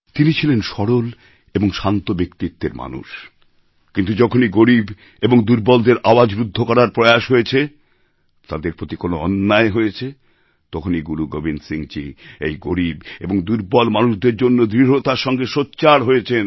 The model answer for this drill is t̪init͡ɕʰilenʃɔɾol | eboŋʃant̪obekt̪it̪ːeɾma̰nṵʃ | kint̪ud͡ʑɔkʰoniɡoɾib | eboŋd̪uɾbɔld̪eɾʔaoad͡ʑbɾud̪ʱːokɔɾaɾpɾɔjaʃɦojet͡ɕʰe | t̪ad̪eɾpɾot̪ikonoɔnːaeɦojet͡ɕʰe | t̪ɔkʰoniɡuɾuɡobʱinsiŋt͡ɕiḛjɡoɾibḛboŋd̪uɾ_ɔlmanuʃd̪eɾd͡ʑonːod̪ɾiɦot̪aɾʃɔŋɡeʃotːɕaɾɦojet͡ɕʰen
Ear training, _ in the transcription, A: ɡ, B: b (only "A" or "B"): B